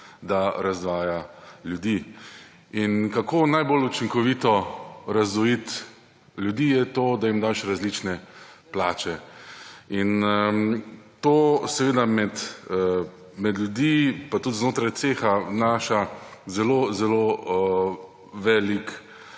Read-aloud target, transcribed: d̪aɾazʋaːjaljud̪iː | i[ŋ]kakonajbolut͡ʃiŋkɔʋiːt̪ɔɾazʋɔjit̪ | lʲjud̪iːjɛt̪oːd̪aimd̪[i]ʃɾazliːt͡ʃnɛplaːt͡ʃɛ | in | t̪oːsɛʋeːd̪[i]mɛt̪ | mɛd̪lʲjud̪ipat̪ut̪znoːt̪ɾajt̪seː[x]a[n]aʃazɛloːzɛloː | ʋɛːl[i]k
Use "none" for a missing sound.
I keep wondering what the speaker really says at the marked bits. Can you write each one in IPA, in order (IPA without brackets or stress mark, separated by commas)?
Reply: n, a, a, x, n, i